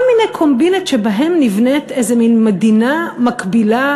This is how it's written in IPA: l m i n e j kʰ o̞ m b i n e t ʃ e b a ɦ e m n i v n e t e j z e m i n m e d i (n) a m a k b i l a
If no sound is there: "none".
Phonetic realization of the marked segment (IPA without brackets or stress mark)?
n